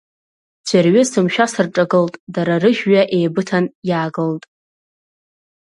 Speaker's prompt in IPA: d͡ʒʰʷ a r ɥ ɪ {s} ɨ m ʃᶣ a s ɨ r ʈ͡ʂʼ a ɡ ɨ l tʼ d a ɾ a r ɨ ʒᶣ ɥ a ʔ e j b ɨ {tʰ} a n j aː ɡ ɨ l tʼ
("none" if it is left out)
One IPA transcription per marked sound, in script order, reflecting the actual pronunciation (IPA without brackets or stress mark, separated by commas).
s, tʰ